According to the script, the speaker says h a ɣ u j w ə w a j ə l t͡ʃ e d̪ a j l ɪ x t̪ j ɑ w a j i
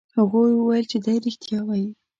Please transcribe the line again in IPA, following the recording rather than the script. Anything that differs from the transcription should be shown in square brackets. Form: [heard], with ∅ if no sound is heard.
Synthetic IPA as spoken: h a ɣ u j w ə w a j ə l t͡ʃ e d̪ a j [ɾ] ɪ x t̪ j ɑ w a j i